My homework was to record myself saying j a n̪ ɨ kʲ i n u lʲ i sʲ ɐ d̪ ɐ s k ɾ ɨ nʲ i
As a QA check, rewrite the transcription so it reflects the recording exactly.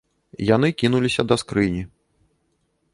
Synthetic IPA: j a n̪ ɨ kʲ i n u lʲ i sʲ ɐ d̪ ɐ s k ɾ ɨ nʲ i